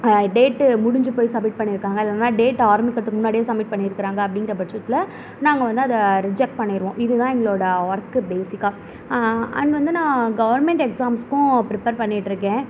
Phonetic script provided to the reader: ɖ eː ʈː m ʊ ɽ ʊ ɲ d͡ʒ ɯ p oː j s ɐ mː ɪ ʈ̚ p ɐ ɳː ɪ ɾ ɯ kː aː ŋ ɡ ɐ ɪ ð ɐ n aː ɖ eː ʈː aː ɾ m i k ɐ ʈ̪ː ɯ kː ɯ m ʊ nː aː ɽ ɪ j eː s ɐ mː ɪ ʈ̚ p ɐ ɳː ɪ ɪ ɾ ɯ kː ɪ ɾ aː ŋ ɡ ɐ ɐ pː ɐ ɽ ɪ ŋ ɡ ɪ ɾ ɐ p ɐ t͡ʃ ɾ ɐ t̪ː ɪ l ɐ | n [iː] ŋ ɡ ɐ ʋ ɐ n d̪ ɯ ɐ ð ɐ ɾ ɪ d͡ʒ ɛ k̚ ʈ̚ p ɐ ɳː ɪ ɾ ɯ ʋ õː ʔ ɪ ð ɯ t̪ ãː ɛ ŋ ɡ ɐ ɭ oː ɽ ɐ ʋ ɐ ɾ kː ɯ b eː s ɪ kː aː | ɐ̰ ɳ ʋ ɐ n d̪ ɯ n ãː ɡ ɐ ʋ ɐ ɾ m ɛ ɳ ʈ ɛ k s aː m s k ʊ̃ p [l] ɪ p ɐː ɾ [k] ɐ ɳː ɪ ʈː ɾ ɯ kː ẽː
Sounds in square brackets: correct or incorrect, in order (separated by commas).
incorrect, incorrect, incorrect